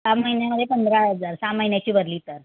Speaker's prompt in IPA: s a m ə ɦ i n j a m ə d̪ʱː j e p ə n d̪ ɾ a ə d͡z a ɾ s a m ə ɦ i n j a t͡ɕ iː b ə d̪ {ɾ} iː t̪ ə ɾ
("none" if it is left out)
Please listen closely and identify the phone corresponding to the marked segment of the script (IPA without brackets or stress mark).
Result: l